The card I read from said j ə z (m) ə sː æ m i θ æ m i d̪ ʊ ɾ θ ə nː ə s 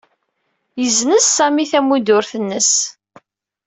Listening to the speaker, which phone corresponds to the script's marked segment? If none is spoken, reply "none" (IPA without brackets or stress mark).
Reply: n